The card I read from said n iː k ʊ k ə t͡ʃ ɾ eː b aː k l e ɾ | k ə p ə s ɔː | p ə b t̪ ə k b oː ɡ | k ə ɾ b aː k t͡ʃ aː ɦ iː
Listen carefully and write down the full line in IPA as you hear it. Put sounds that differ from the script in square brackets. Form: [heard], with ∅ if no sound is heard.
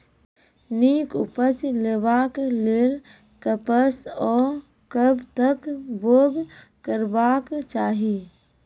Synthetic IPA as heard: n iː k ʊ [p] ə t͡ʃ [l] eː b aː k l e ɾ | k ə p ə s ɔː | [k] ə b t̪ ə k b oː ɡ | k ə ɾ b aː k t͡ʃ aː ɦ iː